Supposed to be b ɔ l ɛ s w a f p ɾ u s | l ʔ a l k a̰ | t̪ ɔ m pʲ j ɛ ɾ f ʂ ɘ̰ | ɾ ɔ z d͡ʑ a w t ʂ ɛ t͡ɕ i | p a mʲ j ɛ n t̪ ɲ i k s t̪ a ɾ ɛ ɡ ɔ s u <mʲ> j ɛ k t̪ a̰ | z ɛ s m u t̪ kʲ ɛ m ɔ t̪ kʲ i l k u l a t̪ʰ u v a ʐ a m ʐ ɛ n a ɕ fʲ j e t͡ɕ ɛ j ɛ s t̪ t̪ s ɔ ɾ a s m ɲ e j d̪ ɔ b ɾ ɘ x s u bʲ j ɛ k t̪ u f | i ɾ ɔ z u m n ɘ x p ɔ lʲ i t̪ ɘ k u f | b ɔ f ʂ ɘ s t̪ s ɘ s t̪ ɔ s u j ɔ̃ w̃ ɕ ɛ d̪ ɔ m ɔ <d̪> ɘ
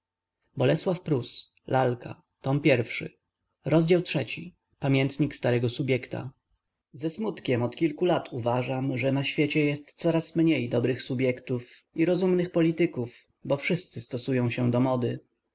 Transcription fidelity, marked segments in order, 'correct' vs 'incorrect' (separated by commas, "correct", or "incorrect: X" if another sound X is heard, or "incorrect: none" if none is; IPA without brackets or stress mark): incorrect: bʲ, correct